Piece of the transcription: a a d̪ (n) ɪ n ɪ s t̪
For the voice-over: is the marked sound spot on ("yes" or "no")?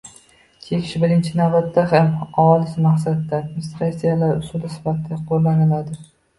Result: no